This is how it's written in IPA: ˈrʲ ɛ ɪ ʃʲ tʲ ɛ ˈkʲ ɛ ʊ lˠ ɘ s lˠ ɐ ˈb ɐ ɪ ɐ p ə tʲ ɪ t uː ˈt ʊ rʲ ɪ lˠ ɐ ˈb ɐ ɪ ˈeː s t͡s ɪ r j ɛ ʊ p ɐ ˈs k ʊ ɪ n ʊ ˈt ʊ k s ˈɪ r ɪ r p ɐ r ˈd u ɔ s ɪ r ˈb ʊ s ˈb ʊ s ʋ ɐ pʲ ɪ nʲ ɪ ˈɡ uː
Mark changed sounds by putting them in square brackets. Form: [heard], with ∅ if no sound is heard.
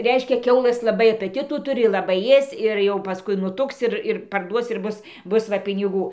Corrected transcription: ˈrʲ ɛ ɪ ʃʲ [kʲ] ɛ ˈkʲ ɛ ʊ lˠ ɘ s lˠ ɐ ˈb ɐ ɪ ɐ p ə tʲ ɪ t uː ˈt ʊ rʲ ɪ lˠ ɐ ˈb ɐ ɪ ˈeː s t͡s ɪ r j ɛ ʊ p ɐ ˈs k ʊ ɪ n ʊ ˈt ʊ k s ˈɪ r ɪ r p ɐ r ˈd u ɔ s ɪ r ˈb ʊ s ˈb ʊ s ʋ ɐ pʲ ɪ nʲ ɪ ˈɡ uː

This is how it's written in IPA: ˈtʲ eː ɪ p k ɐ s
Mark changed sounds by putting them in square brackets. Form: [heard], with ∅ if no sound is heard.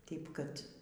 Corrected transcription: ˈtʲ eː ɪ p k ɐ [t]

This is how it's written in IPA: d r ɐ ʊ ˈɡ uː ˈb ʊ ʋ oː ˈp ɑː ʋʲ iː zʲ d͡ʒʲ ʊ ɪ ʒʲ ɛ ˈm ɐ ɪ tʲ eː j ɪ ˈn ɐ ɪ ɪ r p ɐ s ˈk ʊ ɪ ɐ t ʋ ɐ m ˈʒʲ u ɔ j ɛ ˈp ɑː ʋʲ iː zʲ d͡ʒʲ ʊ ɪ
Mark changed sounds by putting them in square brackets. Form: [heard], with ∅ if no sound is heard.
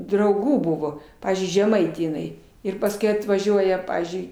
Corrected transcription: d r ɐ ʊ ˈɡ uː ˈb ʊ ʋ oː ˈp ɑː ʋʲ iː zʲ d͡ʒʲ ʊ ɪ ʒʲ ɛ ˈm ɐ ɪ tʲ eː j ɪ ˈn ɐ ɪ ɪ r p ɐ s ˈk ʊ ɪ ɐ t ʋ ɐ [∅] ˈʒʲ u ɔ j ɛ ˈp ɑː ʋʲ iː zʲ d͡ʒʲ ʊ ɪ

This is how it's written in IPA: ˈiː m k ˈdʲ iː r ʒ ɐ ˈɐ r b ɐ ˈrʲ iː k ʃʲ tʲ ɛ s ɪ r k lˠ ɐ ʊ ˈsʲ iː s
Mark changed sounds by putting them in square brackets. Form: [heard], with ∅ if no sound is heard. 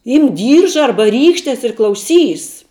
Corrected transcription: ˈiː m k ˈdʲ iː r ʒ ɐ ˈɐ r b ɐ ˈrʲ iː k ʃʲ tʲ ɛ s ɪ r k lˠ ɐ ʊ ˈsʲ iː s

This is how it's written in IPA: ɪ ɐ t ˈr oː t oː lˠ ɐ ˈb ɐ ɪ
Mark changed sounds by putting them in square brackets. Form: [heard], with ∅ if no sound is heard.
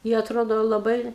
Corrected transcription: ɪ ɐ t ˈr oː [d] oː lˠ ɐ ˈb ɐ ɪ

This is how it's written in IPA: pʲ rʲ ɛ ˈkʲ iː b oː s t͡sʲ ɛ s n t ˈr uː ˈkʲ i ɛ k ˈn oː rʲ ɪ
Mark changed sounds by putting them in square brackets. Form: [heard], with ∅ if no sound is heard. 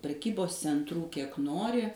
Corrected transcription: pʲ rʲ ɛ ˈkʲ iː b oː s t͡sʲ ɛ [∅] n t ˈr uː ˈkʲ i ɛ k ˈn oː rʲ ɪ

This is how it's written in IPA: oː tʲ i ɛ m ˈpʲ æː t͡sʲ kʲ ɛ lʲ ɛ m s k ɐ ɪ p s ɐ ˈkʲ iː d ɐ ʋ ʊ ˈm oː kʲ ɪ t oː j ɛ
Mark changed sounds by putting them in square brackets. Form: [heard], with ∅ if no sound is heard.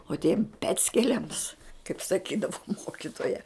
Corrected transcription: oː tʲ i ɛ m ˈpʲ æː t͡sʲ kʲ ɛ lʲ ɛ m s k ɐ ɪ p s ɐ ˈkʲ iː d ɐ ʋ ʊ ˈm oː kʲ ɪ t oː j ɛ

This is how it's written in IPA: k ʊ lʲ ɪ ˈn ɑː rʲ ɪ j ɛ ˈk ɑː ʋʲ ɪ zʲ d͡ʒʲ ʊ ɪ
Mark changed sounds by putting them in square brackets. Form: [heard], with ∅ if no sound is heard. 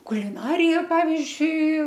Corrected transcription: k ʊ lʲ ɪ ˈn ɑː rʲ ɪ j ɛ [ˈp] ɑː ʋʲ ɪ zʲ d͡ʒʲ ʊ ɪ

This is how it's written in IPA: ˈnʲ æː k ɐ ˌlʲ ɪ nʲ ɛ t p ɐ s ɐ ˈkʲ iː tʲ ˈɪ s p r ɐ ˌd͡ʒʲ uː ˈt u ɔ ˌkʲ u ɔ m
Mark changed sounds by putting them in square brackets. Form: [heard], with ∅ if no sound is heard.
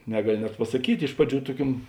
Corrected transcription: ˈnʲ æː [ɡ] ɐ ˌlʲ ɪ nʲ ɛ t p ɐ s ɐ ˈkʲ iː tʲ ˈɪ [ʃ] p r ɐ ˌd͡ʒʲ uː ˈt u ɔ ˌkʲ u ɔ m

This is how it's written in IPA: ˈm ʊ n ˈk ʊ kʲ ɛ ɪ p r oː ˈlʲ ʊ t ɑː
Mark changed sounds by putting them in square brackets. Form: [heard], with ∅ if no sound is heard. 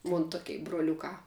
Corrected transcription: ˈm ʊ n [ˈt] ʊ kʲ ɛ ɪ [b] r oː ˈlʲ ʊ [k] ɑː

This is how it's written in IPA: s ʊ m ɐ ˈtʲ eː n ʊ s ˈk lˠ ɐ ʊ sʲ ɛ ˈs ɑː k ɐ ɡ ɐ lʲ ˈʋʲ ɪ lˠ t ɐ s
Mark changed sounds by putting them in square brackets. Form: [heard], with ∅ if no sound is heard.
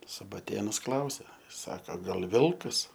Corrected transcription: s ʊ [b] ɐ ˈtʲ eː n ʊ s ˈk lˠ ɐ ʊ sʲ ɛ ˈs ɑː k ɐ ɡ ɐ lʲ ˈʋʲ ɪ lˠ [k] ɐ s

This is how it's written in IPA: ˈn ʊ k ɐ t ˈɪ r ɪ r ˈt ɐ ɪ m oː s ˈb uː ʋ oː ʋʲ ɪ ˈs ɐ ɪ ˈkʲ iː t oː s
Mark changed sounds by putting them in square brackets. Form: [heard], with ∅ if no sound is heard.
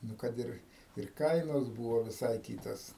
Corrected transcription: ˈn ʊ k ɐ t ˈɪ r ɪ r [ˈk] ɐ ɪ [n] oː s ˈb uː ʋ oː ʋʲ ɪ ˈs ɐ ɪ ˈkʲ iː t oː s

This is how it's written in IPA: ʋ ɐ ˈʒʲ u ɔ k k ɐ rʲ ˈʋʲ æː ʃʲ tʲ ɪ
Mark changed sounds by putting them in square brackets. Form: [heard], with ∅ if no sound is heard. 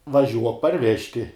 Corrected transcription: ʋ ɐ ˈʒʲ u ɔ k [p] ɐ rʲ ˈʋʲ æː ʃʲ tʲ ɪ

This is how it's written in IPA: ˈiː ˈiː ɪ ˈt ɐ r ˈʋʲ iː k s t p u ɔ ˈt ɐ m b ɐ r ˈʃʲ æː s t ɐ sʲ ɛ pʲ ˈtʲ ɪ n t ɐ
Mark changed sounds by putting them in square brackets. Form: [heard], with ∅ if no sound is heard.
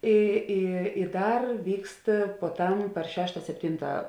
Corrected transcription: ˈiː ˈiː ɪ [ˈd] ɐ r ˈʋʲ iː k s t p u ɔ ˈt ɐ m [p] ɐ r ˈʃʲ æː [ʃ] t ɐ sʲ ɛ pʲ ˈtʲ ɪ n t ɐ

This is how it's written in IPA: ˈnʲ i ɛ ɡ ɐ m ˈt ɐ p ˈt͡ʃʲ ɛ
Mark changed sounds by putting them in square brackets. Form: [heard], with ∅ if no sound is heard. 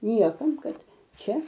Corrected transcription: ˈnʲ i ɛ [k] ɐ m [ˈk] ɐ [t] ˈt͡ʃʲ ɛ

